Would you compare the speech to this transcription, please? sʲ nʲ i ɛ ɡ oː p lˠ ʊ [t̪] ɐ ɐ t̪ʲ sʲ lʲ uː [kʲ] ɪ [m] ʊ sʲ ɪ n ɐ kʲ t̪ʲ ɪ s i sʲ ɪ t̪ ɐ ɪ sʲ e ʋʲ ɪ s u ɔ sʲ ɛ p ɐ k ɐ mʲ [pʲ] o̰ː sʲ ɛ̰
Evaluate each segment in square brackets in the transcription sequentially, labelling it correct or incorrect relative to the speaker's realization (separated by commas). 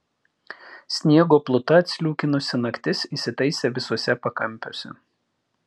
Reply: correct, correct, incorrect, correct